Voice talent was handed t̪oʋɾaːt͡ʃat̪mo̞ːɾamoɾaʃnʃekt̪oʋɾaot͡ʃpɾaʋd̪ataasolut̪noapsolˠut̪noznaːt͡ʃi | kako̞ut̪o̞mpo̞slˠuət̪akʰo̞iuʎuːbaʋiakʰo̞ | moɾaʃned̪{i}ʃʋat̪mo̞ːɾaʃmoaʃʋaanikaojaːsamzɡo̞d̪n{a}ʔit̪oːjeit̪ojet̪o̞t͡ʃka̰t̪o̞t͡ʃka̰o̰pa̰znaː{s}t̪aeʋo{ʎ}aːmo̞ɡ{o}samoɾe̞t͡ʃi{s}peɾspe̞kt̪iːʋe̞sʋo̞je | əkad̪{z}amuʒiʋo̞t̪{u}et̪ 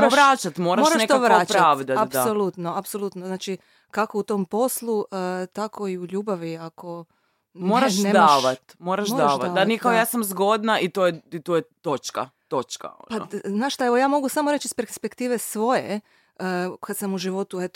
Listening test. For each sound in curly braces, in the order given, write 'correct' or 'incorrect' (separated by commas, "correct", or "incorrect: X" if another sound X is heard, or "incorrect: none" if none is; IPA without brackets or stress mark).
incorrect: a, correct, incorrect: ʃ, incorrect: j, incorrect: u, correct, incorrect: s, correct